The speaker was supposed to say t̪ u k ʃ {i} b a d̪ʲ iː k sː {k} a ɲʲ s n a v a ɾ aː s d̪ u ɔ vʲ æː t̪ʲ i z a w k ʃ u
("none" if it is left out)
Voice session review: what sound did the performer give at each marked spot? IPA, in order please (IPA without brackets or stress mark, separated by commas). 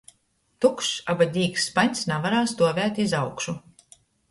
a, p